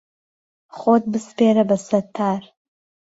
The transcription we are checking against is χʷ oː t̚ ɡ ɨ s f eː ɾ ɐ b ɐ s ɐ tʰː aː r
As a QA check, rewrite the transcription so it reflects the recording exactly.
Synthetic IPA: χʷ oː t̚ b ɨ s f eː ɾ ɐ b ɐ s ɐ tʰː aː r